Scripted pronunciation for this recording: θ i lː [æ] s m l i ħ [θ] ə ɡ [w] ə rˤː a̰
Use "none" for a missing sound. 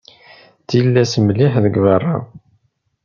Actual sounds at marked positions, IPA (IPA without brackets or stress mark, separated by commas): æ, ð, v